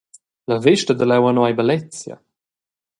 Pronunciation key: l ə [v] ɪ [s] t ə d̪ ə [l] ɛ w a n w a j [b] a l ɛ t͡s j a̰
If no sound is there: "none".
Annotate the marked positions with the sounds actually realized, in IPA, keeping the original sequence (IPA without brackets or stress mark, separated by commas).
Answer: v, ʃ, l, b